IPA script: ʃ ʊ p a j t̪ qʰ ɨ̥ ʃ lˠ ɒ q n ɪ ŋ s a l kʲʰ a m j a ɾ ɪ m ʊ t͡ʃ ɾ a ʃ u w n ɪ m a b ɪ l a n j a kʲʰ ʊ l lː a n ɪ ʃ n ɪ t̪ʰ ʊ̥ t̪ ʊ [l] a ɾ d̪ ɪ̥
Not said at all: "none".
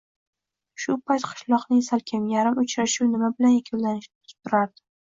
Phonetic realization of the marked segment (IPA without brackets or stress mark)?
ɾ